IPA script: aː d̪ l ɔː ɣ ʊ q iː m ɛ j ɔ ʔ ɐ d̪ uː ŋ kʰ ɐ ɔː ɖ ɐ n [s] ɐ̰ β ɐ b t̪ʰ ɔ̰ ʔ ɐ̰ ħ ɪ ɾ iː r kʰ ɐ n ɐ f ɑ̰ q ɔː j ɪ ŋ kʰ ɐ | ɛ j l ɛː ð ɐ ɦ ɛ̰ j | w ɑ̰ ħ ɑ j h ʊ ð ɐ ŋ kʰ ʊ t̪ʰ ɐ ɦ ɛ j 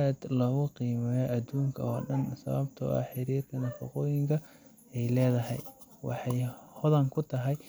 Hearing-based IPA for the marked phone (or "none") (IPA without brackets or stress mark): s